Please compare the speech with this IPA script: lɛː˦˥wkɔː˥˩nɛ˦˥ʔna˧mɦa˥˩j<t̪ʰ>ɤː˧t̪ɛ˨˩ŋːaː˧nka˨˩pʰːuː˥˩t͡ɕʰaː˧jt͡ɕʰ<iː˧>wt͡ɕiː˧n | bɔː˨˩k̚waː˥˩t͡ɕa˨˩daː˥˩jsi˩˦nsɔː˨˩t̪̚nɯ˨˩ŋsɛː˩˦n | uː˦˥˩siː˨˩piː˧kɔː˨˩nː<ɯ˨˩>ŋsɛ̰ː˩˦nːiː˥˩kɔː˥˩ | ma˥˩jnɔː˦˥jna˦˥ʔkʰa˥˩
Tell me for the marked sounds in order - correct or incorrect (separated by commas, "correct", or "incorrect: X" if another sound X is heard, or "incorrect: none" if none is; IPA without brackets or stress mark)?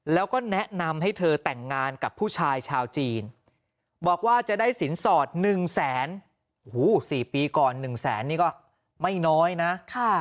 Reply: correct, incorrect: aː˧, correct